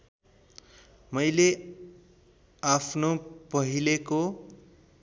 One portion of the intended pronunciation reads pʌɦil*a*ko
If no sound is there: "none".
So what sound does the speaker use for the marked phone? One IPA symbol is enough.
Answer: e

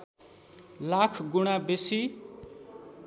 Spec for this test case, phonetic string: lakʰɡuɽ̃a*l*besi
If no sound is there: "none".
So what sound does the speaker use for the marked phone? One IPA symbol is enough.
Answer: none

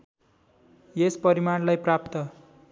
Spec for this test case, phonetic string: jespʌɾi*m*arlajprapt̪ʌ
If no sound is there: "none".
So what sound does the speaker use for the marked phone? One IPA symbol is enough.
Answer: m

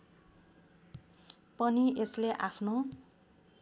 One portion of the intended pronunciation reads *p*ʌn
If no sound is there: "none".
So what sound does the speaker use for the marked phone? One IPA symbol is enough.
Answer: p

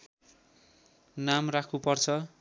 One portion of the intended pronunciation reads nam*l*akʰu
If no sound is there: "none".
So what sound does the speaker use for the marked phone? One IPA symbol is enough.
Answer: r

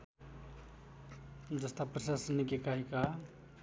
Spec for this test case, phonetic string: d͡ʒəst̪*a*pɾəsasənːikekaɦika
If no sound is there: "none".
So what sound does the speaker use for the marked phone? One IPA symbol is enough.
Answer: a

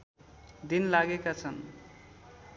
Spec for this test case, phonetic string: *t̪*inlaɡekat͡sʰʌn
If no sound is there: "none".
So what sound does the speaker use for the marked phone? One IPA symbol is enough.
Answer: d̪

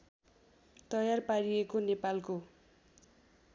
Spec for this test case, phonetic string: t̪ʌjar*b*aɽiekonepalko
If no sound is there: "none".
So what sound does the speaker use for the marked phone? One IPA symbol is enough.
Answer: p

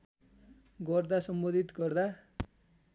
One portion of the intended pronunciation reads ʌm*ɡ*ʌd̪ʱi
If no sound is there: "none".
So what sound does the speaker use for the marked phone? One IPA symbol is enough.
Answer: b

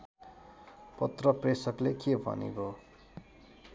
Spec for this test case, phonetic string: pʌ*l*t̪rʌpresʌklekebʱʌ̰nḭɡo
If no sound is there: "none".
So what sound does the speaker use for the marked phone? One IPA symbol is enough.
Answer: none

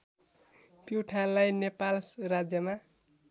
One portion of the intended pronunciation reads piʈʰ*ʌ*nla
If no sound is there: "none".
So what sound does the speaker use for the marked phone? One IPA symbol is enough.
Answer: a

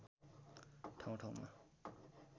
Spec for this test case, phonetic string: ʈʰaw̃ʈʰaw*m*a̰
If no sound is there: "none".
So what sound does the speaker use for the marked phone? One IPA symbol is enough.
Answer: m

